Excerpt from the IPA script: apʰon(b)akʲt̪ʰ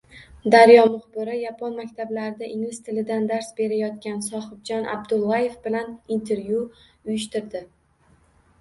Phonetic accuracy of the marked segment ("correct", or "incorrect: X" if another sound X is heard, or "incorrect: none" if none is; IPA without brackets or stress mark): incorrect: m